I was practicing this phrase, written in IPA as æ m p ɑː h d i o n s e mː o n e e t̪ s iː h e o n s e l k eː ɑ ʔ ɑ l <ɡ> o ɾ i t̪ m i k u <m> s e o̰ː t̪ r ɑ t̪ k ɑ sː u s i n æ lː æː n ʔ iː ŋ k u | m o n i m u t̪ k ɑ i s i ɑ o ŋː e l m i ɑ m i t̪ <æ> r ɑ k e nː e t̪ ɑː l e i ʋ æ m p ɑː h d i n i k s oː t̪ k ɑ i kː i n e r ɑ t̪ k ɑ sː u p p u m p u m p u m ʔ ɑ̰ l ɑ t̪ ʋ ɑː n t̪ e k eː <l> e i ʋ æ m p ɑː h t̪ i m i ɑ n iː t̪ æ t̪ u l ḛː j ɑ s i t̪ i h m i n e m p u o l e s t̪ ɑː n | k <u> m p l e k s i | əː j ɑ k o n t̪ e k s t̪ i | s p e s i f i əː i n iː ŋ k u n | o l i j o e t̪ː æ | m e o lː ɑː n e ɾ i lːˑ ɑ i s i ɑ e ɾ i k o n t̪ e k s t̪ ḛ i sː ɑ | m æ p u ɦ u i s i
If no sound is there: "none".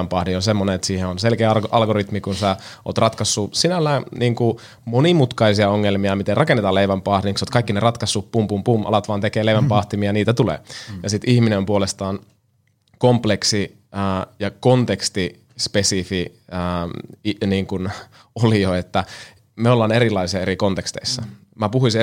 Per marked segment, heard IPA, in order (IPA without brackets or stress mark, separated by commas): ɡ, n, e, l, o